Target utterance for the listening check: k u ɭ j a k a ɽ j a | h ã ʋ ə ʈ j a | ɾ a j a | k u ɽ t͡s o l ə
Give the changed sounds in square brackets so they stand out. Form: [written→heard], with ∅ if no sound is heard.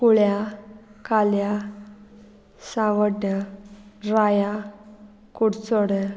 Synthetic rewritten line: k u ɭ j a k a [ɽ→l] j a | [h→s] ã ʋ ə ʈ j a | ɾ a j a | k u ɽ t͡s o [l→ɽ] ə